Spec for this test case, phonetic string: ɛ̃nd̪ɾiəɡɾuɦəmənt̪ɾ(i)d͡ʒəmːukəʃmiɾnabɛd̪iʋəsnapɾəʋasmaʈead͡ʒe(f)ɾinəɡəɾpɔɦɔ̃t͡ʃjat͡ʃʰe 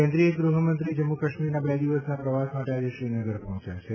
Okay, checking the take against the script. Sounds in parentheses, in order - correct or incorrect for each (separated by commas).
correct, incorrect